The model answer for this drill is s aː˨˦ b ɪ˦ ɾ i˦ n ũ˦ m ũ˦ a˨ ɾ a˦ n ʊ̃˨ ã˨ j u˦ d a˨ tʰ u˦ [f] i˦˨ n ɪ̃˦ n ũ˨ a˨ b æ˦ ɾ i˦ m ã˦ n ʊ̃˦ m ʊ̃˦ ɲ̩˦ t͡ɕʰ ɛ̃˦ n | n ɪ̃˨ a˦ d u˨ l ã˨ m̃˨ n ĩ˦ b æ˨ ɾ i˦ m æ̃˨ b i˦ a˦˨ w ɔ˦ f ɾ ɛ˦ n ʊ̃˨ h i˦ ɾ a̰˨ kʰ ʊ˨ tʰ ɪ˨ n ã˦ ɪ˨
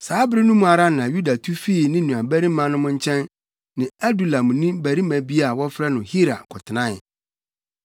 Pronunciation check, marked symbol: correct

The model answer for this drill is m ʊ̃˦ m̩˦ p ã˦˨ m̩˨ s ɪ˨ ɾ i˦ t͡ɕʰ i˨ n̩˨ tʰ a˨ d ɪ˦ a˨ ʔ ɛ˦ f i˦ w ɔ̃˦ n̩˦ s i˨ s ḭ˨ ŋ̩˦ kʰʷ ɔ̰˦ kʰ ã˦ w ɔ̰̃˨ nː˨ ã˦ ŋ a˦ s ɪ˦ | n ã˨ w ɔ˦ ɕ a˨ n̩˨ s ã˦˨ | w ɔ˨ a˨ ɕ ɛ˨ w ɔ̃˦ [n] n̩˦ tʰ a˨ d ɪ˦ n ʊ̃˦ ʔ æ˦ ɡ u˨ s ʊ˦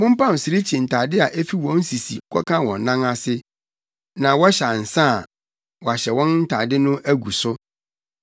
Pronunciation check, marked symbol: correct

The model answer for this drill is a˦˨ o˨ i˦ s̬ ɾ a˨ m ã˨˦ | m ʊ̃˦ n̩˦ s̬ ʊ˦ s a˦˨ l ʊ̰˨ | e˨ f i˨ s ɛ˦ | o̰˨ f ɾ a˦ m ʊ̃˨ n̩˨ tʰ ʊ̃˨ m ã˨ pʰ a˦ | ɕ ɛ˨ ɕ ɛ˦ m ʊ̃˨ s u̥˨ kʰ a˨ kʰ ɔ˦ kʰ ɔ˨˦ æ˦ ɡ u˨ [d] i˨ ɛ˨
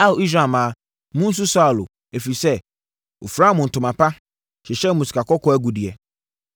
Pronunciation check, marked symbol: correct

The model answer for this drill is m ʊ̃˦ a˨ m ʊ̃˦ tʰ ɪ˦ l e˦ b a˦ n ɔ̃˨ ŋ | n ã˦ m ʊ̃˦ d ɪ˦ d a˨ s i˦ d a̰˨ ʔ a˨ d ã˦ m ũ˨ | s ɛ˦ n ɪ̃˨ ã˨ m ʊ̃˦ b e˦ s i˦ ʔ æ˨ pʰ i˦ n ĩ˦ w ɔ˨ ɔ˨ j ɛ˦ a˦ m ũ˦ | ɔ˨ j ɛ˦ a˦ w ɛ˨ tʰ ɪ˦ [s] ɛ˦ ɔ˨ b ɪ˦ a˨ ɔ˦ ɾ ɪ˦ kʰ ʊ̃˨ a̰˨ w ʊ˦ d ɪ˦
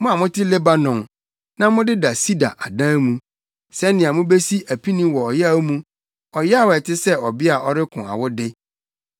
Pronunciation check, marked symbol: correct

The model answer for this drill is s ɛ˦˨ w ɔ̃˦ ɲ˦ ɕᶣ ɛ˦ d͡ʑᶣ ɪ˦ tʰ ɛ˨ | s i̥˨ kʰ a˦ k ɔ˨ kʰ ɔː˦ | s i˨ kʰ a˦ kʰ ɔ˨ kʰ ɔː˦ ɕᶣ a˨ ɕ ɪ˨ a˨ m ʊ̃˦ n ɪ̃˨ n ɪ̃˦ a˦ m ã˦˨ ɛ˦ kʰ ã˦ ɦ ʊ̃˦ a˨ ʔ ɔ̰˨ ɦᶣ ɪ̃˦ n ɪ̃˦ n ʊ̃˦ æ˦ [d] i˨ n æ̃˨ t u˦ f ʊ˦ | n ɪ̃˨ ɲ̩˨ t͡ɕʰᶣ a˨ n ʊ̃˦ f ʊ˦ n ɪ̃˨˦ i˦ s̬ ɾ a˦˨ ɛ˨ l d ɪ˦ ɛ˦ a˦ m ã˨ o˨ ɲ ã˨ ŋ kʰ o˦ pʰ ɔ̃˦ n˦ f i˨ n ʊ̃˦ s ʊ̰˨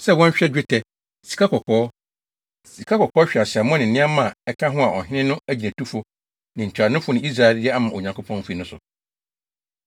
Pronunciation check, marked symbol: incorrect: d͡ʑ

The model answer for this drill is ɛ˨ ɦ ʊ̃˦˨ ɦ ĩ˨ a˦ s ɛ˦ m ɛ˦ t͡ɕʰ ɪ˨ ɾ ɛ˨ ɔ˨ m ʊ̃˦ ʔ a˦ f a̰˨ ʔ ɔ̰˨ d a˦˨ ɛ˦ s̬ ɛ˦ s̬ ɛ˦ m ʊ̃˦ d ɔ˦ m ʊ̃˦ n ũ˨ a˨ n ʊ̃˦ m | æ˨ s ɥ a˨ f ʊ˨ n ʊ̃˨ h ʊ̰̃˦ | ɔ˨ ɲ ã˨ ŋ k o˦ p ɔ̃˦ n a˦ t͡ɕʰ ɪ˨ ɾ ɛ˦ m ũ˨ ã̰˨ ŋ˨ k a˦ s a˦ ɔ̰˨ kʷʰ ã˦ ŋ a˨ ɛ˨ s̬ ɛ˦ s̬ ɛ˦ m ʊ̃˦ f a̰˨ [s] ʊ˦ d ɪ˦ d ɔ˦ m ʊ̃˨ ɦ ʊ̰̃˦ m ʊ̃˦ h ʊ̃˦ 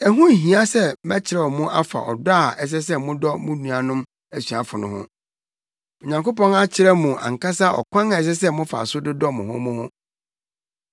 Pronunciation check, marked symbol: correct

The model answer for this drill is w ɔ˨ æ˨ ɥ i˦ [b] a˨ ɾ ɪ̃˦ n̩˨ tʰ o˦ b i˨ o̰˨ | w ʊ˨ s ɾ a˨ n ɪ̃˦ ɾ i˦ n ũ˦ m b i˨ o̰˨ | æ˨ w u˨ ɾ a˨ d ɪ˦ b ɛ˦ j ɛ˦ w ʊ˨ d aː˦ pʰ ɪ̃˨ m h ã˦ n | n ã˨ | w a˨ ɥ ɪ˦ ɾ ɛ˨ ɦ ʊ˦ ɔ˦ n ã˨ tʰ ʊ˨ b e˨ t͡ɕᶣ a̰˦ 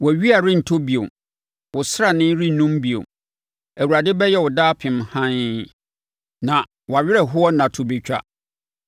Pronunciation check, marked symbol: incorrect: none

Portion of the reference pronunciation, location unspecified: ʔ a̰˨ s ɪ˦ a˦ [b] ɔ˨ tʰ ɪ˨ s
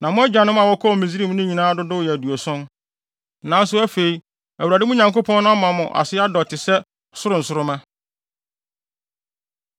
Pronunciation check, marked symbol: incorrect: d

